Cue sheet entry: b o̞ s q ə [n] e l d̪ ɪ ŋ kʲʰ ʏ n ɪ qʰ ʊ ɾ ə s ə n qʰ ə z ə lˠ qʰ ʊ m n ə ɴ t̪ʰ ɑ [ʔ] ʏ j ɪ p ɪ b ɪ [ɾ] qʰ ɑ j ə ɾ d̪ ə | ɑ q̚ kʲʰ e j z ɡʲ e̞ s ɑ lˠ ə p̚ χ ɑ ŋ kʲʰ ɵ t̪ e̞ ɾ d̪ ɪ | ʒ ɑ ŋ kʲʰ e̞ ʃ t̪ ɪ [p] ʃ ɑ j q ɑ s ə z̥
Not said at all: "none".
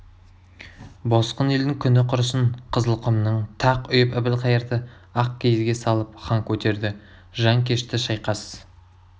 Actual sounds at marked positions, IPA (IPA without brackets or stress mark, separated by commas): n, q, l, none